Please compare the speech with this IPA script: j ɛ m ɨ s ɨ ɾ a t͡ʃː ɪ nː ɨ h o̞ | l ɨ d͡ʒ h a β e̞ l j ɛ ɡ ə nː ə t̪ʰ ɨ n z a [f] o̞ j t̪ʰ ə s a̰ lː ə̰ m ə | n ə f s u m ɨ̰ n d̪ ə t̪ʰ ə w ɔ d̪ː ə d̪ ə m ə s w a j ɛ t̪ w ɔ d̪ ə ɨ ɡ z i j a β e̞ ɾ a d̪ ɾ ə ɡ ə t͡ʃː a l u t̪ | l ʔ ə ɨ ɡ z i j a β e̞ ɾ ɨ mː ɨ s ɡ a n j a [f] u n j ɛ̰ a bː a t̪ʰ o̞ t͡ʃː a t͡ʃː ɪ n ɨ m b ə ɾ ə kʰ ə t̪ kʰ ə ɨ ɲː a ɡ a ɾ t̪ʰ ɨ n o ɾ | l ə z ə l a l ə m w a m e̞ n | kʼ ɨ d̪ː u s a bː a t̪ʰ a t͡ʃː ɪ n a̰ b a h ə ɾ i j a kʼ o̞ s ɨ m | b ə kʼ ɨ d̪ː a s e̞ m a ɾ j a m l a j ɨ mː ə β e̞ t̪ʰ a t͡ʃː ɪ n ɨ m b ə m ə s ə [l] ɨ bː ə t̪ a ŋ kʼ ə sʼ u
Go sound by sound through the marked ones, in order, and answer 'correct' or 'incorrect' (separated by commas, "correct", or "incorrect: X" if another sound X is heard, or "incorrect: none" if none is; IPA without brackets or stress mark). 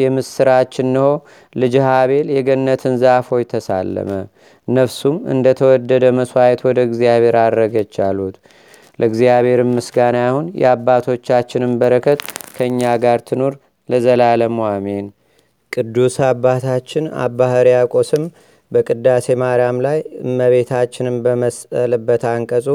correct, incorrect: h, correct